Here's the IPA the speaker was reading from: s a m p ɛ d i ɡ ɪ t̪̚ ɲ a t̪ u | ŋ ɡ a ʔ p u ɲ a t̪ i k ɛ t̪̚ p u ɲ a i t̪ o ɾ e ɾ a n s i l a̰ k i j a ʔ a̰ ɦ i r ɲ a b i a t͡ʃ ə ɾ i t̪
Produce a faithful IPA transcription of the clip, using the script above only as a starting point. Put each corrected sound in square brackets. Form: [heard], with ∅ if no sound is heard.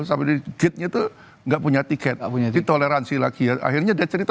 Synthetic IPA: s a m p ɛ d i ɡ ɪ t̪̚ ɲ a t̪ u | ŋ ɡ a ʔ p u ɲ a t̪ i k ɛ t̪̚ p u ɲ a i t̪ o [l] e ɾ a n s i l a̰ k i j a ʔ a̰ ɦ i r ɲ a [d] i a t͡ʃ ə ɾ i t̪